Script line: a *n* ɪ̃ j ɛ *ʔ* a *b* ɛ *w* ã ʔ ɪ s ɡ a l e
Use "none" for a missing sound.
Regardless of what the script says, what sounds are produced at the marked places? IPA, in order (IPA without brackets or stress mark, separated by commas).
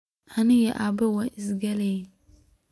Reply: n, ʔ, b, w